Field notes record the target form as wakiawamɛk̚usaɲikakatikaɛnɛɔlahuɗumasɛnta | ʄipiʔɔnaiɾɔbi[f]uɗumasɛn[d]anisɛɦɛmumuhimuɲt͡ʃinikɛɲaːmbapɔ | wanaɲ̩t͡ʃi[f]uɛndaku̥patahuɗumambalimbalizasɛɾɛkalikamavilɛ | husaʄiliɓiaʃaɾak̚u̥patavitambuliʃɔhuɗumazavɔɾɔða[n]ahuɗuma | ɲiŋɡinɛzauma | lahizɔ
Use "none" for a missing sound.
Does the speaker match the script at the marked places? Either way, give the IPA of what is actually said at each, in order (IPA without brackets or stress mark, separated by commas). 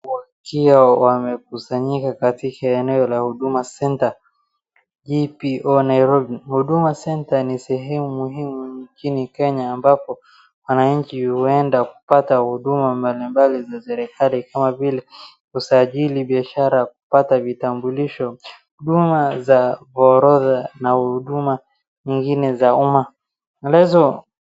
h, t, h, n